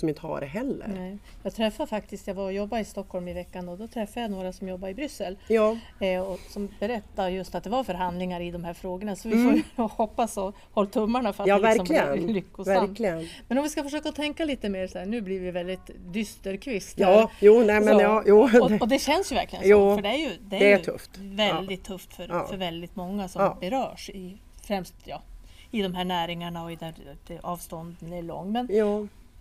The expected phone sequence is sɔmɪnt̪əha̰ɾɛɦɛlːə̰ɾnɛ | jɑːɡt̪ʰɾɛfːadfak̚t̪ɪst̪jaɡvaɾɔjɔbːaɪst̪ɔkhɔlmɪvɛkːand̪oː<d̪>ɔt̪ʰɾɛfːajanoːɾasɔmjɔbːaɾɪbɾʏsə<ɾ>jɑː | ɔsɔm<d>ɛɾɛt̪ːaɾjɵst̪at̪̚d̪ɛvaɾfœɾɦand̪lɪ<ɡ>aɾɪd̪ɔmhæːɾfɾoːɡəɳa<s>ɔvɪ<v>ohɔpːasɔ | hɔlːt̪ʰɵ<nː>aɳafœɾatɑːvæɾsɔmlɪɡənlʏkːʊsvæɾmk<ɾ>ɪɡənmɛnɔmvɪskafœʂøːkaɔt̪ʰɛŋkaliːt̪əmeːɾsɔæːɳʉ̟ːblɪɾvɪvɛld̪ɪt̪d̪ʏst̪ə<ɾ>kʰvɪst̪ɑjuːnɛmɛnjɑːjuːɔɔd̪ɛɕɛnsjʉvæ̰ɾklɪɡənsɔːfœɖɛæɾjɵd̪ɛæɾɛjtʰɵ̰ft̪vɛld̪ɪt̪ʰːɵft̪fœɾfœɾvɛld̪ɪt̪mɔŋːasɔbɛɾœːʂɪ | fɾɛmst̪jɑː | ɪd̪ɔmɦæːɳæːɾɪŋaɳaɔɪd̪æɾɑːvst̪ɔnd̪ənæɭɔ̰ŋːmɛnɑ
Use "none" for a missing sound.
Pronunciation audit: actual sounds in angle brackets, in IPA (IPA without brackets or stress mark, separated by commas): d̪, l, b, ŋ, s, f, mː, l, ɾ